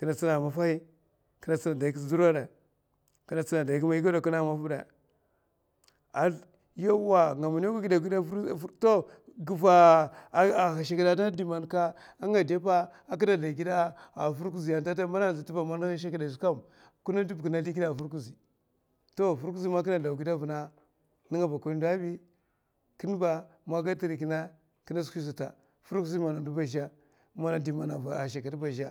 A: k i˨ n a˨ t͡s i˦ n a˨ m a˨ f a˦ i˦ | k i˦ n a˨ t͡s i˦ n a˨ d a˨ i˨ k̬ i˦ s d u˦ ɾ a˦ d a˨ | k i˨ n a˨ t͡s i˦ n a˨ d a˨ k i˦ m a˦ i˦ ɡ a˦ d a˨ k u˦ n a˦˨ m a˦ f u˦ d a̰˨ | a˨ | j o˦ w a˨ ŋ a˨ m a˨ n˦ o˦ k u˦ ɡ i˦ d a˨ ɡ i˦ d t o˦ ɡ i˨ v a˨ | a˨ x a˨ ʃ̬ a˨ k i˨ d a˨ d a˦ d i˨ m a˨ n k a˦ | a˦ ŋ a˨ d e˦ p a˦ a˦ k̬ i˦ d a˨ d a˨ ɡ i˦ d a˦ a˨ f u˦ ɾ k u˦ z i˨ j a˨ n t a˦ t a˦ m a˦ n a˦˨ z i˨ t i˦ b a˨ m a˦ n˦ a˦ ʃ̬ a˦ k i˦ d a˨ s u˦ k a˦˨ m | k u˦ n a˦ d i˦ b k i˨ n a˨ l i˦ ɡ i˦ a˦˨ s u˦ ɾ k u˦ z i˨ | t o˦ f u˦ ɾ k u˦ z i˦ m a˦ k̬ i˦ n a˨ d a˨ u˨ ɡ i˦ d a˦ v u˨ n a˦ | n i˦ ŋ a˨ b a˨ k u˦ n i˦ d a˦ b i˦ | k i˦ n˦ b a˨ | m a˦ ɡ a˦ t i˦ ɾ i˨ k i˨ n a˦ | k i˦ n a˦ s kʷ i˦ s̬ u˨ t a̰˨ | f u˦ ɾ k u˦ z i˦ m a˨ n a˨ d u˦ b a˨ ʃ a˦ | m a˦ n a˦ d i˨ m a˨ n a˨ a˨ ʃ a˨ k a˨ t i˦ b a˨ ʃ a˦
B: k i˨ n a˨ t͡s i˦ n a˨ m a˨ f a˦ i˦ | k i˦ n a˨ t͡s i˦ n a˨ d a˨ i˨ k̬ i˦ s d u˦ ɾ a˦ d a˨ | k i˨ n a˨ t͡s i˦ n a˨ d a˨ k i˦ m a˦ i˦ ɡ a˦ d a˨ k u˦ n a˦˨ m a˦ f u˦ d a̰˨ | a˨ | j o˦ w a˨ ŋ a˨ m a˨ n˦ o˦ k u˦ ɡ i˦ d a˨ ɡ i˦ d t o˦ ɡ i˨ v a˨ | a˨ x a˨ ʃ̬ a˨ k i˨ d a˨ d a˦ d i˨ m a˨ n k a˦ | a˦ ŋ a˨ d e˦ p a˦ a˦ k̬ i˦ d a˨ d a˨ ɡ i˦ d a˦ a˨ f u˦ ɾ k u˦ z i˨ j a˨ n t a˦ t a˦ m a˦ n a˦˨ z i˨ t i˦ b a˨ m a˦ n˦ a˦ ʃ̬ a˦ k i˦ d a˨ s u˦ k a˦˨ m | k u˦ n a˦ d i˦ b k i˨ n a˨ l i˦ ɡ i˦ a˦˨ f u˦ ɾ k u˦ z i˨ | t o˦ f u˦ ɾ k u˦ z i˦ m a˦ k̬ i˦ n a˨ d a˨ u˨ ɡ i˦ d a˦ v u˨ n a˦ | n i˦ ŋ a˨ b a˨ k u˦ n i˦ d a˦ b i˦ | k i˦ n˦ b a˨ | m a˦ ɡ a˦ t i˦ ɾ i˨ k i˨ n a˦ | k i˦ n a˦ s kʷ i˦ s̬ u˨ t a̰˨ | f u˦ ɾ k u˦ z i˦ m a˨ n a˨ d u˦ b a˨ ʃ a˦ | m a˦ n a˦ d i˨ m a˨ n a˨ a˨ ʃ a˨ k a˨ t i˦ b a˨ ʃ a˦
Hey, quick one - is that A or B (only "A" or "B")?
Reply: B